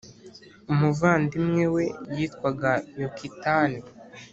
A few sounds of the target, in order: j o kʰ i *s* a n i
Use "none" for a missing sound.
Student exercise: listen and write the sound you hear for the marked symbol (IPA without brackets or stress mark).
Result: t